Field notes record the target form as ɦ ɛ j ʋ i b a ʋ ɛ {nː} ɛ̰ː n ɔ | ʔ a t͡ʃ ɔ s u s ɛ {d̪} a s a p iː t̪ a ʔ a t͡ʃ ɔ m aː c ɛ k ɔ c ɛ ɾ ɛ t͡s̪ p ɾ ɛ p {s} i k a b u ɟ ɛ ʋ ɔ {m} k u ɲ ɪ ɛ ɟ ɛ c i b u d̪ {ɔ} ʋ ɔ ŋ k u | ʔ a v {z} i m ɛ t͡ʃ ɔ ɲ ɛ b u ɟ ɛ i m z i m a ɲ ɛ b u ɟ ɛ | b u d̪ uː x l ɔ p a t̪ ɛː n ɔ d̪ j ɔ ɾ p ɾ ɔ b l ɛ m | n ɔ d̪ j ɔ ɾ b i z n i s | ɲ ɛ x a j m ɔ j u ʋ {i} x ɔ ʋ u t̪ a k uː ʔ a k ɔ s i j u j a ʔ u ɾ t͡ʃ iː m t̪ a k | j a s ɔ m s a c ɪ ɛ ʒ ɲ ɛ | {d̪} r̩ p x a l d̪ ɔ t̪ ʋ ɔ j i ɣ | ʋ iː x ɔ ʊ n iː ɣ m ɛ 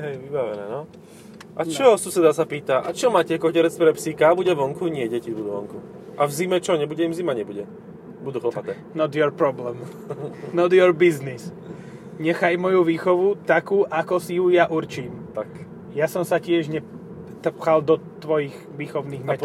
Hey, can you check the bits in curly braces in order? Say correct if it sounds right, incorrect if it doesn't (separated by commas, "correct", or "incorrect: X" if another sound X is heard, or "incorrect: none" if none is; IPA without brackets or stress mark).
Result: incorrect: n, correct, correct, incorrect: ŋ, incorrect: u, correct, incorrect: iː, incorrect: t̪